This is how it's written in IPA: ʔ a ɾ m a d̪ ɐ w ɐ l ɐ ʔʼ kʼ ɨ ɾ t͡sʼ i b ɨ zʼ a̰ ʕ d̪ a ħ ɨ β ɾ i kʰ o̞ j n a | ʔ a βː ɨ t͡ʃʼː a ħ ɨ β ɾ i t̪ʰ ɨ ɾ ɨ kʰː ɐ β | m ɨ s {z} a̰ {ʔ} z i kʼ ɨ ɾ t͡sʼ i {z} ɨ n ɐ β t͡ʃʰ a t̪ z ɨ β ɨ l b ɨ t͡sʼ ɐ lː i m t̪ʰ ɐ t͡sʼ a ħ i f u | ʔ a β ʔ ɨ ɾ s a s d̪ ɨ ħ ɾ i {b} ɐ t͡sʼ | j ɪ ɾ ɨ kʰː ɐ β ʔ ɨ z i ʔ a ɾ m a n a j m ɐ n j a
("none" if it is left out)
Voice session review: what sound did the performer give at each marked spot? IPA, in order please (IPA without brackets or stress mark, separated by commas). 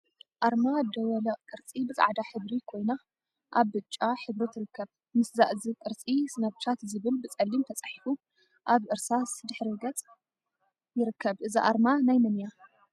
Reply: z, ʔ, s, ɡ